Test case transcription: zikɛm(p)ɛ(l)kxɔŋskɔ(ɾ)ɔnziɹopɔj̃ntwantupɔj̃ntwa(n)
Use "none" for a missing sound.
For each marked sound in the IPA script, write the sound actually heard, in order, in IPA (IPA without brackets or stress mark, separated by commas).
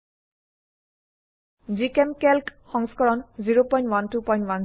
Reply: k, l, ɹ, n